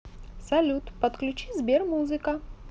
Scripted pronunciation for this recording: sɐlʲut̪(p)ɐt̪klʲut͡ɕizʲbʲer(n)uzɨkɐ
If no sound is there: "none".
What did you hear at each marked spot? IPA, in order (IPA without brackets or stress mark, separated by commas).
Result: p, m